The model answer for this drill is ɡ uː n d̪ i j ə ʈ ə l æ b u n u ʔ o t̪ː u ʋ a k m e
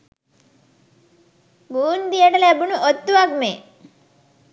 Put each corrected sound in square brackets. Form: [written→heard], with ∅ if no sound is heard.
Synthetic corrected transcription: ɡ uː n d̪ i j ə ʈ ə l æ b u n u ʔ o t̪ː u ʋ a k m e